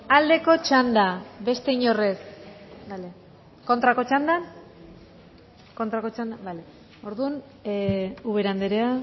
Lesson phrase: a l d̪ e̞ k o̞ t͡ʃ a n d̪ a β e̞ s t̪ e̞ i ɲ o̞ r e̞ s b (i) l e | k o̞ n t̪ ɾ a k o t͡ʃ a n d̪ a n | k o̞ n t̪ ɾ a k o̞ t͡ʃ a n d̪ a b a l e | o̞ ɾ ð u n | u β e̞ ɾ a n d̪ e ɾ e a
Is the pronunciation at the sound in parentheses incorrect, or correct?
incorrect